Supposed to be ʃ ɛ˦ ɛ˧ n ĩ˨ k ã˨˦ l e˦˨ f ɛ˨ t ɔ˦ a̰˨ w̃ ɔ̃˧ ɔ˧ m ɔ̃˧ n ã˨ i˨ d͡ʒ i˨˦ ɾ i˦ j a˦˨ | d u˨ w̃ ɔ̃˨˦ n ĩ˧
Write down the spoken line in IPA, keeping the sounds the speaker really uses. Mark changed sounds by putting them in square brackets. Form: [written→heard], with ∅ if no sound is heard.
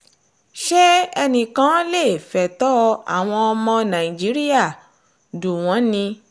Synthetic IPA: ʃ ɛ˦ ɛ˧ n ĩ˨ k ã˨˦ l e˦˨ f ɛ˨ t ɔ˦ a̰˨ w̃ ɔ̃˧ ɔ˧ m ɔ̃˧ n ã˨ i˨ d͡ʒ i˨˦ ɾ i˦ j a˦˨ | d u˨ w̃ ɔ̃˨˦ n ĩ˧